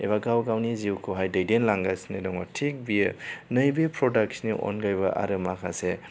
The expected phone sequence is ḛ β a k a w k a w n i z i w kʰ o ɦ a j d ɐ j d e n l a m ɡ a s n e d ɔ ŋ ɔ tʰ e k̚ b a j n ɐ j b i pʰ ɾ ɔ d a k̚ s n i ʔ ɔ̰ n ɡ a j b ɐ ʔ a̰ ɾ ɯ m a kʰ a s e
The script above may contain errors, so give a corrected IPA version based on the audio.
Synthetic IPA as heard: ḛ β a ɡ a w ɡ a w n i z i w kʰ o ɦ a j d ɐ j d e n l a ŋ ɡ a s n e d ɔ ŋ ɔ tʰ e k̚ b i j n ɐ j b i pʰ ɾ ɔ d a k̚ s n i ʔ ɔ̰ n ɡ a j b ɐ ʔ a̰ ɾ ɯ m a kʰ a s e